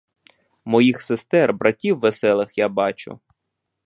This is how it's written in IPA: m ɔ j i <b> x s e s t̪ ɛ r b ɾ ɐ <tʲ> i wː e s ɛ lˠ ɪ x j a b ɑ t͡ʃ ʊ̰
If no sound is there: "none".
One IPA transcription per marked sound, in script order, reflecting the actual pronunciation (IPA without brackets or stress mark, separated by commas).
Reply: none, tʲ